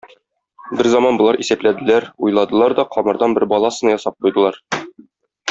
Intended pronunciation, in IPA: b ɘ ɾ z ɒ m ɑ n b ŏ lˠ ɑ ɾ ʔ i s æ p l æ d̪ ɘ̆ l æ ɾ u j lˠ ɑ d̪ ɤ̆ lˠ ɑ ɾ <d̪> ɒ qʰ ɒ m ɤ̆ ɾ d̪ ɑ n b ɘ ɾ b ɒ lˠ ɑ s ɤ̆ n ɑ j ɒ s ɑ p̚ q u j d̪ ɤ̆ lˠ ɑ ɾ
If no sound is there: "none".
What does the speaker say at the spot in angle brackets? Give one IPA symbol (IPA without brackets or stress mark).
d̪